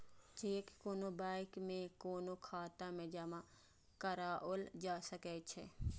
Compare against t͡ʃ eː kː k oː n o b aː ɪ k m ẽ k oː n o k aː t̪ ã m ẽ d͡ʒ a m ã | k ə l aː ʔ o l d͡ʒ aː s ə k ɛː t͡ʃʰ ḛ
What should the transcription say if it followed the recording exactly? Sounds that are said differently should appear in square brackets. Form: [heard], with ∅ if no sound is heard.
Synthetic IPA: t͡ʃ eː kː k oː n o b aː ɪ k m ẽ k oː n o [kʰ] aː t̪ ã m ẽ d͡ʒ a m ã | k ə [ɾ] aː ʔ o l d͡ʒ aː s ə k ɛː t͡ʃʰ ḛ